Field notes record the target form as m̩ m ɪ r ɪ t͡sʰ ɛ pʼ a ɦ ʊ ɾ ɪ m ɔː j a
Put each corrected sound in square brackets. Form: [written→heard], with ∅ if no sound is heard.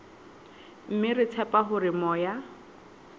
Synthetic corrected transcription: m̩ m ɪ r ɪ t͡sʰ ɛ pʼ a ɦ ʊ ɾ ɪ m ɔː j a

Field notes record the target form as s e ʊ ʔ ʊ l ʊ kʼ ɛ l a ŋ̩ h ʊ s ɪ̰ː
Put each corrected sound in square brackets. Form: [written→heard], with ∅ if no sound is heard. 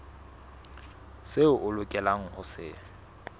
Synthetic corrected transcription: s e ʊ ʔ ʊ l ʊ kʼ ɛ l a ŋ̩ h ʊ s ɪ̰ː

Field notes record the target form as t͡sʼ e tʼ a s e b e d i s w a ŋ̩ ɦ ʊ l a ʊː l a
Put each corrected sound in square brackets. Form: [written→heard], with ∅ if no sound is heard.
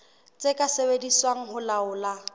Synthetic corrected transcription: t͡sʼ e [tʼ→kʼ] a s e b e d i s w a ŋ̩ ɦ ʊ l a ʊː l a

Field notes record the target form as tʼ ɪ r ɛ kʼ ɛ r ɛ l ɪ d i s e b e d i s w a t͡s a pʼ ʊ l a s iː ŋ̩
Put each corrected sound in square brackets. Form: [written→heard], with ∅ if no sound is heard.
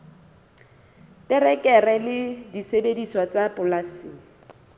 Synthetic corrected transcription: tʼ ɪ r ɛ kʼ ɛ r ɛ l ɪ d i s e b e d i s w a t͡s a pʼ ʊ l a s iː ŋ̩

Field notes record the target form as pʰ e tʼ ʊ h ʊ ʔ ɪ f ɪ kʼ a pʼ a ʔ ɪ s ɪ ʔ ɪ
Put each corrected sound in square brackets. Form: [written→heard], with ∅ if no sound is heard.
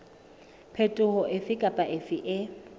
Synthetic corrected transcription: pʰ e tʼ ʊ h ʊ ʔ ɪ f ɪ kʼ a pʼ a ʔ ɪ [s→f] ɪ ʔ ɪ

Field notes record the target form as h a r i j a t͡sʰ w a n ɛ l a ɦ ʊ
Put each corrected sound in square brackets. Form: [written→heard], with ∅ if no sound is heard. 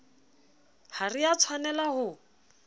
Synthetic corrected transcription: h a r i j a t͡sʰ w a n ɛ l a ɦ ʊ

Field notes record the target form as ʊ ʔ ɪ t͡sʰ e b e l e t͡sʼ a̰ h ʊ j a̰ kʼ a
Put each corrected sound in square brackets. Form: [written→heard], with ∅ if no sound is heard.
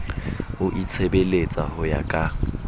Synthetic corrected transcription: ʊ ʔ [ɪ→i] t͡sʰ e b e l e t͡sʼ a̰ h ʊ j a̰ kʼ a

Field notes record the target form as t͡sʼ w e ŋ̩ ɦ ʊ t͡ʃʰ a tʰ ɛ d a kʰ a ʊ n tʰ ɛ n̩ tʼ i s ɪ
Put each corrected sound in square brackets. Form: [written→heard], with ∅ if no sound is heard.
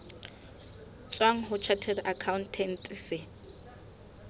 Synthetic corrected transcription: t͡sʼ w [e→a] ŋ̩ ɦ ʊ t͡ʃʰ a tʰ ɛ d a kʰ a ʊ n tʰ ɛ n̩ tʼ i s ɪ

